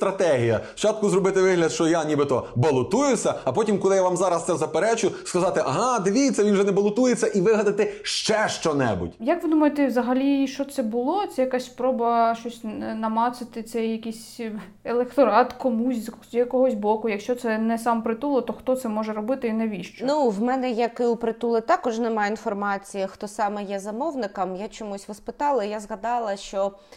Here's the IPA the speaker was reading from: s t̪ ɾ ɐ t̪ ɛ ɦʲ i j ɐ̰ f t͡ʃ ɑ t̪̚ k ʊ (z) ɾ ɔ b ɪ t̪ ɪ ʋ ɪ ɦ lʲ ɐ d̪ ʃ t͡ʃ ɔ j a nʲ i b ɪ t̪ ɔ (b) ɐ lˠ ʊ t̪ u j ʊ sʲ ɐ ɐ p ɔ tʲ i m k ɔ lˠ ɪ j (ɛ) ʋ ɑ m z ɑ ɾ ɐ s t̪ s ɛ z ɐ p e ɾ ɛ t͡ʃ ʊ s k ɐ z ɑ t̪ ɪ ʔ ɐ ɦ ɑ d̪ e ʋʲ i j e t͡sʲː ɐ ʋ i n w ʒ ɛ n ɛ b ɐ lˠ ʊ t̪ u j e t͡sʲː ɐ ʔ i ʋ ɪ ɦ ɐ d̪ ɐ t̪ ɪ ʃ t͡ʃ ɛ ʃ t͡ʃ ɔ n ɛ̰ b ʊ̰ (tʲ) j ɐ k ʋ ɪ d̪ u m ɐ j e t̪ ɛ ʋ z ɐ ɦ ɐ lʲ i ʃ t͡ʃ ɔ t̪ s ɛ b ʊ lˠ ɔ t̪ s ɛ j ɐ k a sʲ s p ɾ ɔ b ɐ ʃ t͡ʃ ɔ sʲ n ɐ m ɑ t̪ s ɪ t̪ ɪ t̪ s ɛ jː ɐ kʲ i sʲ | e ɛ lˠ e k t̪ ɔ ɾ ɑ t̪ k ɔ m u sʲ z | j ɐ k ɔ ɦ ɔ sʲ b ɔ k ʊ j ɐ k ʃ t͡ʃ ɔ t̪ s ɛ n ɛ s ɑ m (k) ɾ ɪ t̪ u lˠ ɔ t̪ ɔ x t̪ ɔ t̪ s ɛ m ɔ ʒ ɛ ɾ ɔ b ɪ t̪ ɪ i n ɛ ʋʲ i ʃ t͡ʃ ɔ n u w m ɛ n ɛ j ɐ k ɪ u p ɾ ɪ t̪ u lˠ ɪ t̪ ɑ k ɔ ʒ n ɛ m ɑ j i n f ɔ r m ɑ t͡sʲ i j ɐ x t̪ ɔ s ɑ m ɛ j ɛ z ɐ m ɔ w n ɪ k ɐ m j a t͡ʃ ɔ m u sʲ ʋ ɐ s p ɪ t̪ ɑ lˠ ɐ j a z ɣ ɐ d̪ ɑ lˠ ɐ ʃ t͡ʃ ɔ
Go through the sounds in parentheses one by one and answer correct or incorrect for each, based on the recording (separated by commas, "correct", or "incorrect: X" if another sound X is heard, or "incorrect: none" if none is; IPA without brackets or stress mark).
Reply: correct, correct, incorrect: a, correct, incorrect: p